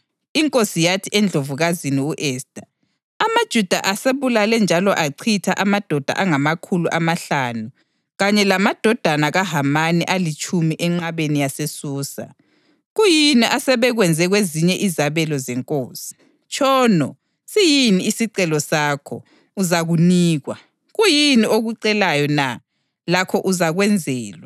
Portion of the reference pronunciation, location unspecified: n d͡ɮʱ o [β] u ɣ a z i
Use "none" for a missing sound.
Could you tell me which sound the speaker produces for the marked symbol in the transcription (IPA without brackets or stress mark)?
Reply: v